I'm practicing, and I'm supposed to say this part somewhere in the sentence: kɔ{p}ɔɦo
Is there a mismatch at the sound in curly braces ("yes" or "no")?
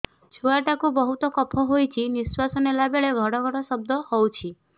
yes